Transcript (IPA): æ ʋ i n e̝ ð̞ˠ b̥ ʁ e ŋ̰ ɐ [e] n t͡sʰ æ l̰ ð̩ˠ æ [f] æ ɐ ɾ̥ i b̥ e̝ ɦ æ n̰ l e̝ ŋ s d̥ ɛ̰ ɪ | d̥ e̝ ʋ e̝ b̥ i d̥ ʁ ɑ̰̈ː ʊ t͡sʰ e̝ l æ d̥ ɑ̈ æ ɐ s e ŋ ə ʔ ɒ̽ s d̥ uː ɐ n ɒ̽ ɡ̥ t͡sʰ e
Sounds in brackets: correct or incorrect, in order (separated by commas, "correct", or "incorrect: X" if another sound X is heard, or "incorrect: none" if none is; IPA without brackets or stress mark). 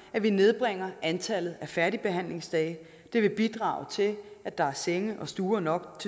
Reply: incorrect: æ, correct